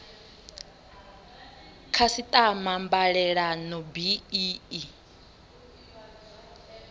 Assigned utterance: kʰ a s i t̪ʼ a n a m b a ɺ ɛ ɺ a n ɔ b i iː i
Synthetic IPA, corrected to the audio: kʰ a s i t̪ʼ a m a m b a ɺ ɛ ɺ a n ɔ b i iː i